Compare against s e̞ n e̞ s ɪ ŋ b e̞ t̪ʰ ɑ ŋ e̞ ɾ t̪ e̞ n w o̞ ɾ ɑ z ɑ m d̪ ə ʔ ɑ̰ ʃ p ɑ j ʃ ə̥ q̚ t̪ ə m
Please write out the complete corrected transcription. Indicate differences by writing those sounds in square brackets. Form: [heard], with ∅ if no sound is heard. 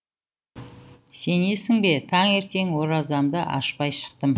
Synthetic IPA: s e̞ n e̞ s ɪ ŋ b e̞ t̪ʰ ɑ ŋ e̞ ɾ t̪ e̞ [ŋ] w o̞ ɾ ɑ z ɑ m d̪ ə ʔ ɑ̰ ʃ p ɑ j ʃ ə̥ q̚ t̪ ə m